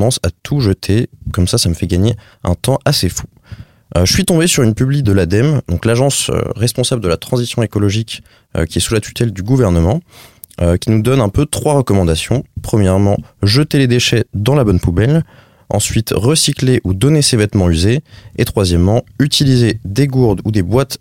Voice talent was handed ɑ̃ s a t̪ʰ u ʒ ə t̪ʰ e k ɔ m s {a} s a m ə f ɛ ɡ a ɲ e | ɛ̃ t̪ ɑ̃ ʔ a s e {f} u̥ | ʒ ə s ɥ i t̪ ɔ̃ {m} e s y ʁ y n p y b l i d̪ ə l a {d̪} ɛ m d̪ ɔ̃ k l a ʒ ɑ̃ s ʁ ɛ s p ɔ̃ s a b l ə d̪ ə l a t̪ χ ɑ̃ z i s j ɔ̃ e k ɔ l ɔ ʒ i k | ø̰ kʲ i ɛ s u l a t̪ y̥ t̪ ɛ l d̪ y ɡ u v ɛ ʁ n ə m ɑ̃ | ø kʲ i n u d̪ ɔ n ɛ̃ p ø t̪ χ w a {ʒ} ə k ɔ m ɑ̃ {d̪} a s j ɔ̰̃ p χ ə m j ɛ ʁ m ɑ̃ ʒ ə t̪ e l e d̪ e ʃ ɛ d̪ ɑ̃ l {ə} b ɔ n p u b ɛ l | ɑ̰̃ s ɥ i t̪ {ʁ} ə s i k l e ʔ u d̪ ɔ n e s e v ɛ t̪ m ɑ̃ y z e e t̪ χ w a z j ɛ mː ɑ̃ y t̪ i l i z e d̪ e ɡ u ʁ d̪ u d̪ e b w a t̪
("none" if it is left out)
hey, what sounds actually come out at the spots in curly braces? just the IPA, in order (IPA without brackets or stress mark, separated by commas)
a, f, b, d̪, ʁ, d̪, a, ʁ